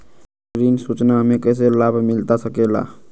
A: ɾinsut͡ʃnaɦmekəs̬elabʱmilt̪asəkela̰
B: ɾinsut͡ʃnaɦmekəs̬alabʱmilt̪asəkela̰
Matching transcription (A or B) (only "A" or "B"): A